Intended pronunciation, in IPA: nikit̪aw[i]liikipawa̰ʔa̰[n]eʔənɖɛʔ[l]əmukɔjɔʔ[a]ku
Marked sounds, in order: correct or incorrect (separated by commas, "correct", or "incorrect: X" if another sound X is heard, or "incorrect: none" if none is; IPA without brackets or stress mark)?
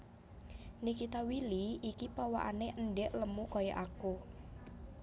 correct, correct, correct, correct